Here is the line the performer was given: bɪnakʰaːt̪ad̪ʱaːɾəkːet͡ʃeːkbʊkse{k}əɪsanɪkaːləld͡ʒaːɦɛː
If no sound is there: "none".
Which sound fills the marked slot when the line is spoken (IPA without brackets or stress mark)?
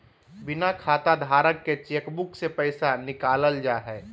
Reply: p